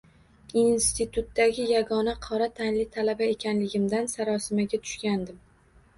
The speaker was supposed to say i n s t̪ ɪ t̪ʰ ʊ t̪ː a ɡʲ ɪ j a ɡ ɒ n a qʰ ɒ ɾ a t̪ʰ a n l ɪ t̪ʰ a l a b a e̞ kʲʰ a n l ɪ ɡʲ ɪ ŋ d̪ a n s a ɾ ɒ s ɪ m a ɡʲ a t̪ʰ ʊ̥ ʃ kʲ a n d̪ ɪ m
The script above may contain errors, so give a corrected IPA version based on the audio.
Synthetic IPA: i n s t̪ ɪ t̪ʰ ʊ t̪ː a ɡʲ ɪ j a ɡ ɒ n a qʰ ɒ ɾ a t̪ʰ a n l ɪ t̪ʰ a l a b a e̞ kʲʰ a n l ɪ ɡʲ ɪ m d̪ a n s a ɾ ɒ s ɪ m a ɡʲ a t̪ʰ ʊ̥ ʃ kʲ a n d̪ ɪ m